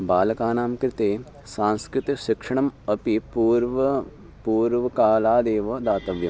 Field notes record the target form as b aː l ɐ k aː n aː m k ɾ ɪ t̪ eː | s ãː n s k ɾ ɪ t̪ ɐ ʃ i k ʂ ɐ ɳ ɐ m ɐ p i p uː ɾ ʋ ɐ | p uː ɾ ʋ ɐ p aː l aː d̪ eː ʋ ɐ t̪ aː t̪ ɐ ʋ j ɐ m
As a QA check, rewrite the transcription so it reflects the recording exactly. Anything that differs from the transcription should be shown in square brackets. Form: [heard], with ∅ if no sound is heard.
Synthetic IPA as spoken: b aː l ɐ k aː n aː m k ɾ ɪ t̪ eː | s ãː n s k ɾ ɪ t̪ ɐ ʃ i k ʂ ɐ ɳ ɐ m ɐ p i p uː ɾ ʋ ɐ | p uː ɾ ʋ ɐ [k] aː l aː d̪ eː ʋ ɐ [d̪] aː t̪ ɐ ʋ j ɐ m

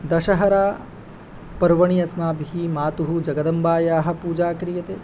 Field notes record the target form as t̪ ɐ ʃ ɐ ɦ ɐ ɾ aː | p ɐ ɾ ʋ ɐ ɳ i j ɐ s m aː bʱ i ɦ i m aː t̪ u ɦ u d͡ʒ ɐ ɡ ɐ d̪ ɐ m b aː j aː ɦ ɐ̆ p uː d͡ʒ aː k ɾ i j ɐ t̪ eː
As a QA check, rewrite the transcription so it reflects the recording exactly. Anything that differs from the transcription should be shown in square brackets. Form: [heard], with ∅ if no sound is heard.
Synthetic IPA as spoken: [d̪] ɐ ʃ ɐ ɦ ɐ ɾ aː | p ɐ ɾ ʋ ɐ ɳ i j ɐ s m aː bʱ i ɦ i m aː t̪ u ɦ u d͡ʒ ɐ ɡ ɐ d̪ ɐ m b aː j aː ɦ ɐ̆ p uː d͡ʒ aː k ɾ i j ɐ t̪ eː

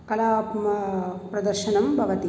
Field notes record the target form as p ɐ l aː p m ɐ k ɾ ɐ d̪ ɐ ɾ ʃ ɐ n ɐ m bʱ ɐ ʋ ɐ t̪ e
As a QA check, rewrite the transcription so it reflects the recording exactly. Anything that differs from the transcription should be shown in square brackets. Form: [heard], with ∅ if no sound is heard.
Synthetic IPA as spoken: [k] ɐ l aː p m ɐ [p] ɾ ɐ d̪ ɐ ɾ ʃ ɐ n ɐ m bʱ ɐ ʋ ɐ t̪ [i]

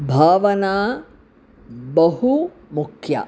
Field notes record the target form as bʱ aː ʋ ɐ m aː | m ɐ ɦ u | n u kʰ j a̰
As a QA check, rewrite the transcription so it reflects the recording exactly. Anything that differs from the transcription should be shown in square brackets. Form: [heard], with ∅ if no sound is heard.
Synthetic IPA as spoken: bʱ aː ʋ ɐ [n] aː | [b] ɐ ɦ u | [m] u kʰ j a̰

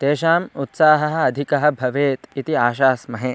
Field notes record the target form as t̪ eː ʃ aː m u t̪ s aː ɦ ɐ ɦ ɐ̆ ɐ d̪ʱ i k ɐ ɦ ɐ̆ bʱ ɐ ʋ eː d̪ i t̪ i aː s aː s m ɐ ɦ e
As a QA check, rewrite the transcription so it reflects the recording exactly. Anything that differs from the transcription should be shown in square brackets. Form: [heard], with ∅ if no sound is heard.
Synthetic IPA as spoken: t̪ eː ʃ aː m u t̪ s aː ɦ ɐ ɦ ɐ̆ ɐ d̪ʱ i k ɐ ɦ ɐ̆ bʱ ɐ ʋ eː [t̪] i t̪ i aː [ʃ] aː s m ɐ ɦ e

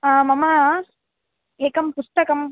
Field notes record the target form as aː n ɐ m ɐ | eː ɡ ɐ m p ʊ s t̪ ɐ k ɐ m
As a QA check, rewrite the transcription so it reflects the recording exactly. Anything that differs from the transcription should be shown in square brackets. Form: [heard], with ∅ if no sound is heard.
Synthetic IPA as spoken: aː [m] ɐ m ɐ | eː [k] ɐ m p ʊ s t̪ ɐ k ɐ m

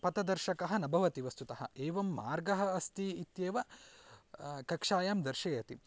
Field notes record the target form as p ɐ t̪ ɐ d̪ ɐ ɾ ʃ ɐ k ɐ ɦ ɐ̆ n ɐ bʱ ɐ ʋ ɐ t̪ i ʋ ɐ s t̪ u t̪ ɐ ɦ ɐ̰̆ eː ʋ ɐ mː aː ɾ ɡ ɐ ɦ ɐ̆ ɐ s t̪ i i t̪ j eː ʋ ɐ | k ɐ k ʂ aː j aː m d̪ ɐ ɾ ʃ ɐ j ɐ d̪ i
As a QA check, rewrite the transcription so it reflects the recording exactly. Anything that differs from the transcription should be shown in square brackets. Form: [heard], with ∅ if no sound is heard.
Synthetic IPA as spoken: p ɐ t̪ ɐ d̪ ɐ ɾ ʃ ɐ k ɐ ɦ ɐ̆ n ɐ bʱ ɐ ʋ ɐ t̪ i ʋ ɐ s t̪ u t̪ ɐ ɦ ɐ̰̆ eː ʋ ɐ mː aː ɾ ɡ ɐ ɦ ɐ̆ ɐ s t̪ i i t̪ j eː ʋ ɐ | k ɐ k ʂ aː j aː m d̪ ɐ ɾ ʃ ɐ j ɐ [t̪] i

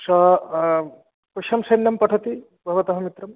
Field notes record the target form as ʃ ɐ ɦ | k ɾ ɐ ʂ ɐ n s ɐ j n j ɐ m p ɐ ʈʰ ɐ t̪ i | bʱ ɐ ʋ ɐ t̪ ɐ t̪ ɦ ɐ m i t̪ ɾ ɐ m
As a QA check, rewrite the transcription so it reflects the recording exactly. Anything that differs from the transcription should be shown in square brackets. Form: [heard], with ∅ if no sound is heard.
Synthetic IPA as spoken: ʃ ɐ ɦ | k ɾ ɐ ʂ ɐ [m] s ɐ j n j ɐ m p ɐ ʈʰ ɐ t̪ i | bʱ ɐ ʋ ɐ t̪ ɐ [∅] ɦ ɐ m i t̪ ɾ ɐ m

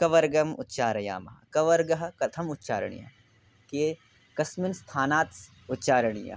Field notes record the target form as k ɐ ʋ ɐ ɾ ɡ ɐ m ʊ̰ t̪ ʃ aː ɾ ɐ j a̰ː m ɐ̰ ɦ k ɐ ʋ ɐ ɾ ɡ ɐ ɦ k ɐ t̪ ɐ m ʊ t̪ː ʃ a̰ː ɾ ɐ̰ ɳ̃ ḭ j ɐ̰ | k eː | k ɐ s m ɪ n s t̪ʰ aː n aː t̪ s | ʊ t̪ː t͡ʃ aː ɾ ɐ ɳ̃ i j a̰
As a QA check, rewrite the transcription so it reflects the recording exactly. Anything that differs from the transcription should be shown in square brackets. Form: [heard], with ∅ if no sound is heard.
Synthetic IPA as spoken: k ɐ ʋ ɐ ɾ ɡ ɐ m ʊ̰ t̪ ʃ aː ɾ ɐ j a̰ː m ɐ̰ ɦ k ɐ ʋ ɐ ɾ ɡ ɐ ɦ k ɐ [t̪ʰ] ɐ m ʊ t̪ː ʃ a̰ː ɾ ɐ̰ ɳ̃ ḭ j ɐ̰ | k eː | k ɐ s m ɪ n s t̪ʰ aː n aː t̪ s | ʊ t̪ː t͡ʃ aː ɾ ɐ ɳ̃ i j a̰

